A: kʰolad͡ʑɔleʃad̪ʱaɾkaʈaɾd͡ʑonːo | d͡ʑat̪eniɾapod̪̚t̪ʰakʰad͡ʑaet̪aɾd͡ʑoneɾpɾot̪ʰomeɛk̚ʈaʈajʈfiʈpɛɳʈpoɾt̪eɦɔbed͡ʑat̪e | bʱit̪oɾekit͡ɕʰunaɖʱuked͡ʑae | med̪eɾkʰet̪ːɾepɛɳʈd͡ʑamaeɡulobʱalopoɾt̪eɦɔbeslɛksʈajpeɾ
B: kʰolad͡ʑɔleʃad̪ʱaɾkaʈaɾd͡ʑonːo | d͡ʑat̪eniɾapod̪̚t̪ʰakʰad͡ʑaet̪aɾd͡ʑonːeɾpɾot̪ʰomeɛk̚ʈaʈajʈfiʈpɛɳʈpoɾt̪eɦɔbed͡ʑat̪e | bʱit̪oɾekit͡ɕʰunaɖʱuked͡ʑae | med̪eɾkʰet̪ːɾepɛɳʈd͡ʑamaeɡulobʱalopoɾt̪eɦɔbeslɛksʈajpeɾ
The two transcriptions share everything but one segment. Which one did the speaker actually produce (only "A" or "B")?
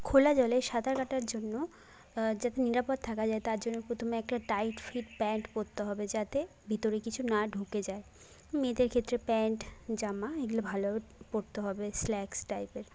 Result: B